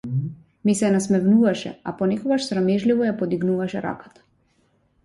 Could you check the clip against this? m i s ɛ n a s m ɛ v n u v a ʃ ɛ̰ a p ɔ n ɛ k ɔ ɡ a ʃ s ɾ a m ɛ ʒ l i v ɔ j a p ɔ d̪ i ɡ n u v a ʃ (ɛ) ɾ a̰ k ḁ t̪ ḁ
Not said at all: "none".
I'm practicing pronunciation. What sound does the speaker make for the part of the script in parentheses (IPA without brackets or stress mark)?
ɛ